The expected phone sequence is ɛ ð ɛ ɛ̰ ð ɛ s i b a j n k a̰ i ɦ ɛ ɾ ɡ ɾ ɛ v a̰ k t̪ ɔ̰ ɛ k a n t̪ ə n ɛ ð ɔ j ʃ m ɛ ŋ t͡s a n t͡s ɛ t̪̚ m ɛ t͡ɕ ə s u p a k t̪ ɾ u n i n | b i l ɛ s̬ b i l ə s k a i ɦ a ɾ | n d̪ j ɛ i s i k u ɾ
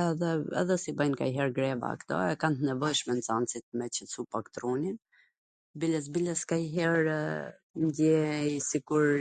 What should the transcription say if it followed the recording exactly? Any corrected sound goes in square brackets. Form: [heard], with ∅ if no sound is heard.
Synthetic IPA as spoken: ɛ ð ɛ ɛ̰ ð ɛ s i b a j n k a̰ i ɦ ɛ ɾ ɡ ɾ ɛ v a̰ k t̪ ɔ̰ ɛ k a n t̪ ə n ɛ [v] ɔ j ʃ m ɛ [n] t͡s a n t͡s [i] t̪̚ m ɛ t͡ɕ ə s u p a k t̪ ɾ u n i n | b i l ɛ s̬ b i l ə s k a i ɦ [ɛ] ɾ | n d̪ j ɛ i s i k u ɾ